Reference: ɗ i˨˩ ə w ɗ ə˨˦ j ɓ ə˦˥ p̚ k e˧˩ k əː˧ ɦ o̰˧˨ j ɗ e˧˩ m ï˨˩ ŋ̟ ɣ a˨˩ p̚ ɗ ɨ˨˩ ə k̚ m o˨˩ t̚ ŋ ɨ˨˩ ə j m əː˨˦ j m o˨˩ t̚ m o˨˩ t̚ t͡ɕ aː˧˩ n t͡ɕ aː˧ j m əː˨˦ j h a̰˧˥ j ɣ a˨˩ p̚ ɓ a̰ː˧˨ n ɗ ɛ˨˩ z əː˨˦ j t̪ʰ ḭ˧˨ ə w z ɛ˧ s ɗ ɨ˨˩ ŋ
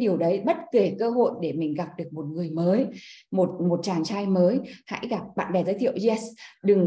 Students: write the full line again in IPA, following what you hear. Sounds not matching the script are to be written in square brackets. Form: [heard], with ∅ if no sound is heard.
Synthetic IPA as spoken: ɗ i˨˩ ə w ɗ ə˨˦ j ɓ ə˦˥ [t̚] k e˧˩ k əː˧ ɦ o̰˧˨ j ɗ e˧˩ m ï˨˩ ŋ̟ ɣ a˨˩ p̚ ɗ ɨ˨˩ ə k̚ m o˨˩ t̚ ŋ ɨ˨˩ ə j m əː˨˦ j m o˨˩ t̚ m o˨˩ t̚ t͡ɕ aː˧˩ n t͡ɕ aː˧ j m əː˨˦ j h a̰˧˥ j ɣ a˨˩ p̚ ɓ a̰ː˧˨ n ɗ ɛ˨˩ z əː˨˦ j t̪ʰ ḭ˧˨ ə w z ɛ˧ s ɗ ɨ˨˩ ŋ